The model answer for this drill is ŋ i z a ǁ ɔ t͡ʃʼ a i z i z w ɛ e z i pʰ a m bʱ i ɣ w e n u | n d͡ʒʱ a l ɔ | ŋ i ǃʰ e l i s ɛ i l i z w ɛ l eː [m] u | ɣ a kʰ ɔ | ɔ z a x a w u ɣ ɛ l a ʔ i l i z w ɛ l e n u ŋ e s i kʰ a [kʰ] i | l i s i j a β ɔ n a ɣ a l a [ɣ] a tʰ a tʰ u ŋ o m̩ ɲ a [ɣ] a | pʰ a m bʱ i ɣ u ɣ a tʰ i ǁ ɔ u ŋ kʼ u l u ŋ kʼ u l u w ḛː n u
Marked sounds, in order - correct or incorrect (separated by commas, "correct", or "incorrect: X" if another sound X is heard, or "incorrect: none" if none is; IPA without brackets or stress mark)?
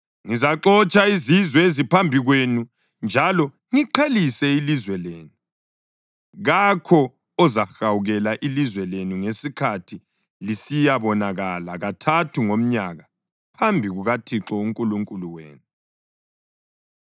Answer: incorrect: n, incorrect: tʰ, correct, correct